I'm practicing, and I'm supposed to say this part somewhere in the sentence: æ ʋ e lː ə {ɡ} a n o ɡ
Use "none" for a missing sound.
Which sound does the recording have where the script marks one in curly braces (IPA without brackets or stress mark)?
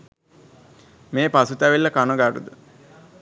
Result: k